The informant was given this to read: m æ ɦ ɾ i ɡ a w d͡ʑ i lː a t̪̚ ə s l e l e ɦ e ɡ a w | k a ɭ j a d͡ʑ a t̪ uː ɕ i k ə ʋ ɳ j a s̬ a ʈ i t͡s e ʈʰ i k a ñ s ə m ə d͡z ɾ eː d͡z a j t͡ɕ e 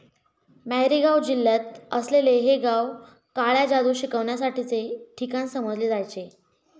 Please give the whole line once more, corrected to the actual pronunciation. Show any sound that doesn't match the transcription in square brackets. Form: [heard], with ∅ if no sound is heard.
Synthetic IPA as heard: m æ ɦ ɾ i ɡ a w d͡ʑ i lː a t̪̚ ə s l e l e ɦ e ɡ a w | k a ɭ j a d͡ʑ a [d̪] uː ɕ i k ə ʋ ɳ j a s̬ a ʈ i t͡s e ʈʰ i k a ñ s ə m ə d͡z [l] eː d͡z a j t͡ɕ e